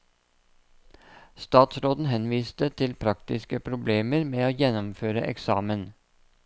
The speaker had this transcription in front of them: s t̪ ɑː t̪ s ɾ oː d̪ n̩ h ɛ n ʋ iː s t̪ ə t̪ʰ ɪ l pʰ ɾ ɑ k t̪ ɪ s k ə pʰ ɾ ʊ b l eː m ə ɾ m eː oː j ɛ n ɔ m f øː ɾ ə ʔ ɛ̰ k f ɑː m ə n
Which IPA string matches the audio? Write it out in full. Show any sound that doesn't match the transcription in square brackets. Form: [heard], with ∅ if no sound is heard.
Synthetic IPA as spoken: s t̪ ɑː t̪ s ɾ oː d̪ n̩ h ɛ n ʋ iː s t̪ ə t̪ʰ ɪ l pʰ ɾ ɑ k t̪ ɪ s k ə pʰ ɾ ʊ b l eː m ə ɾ m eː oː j ɛ n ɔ m f øː ɾ ə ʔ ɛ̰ k [s] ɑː m ə n